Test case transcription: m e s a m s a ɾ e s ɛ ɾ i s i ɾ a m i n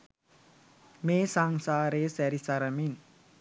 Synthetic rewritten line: m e s a ŋ s a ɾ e s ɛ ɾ i s a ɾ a m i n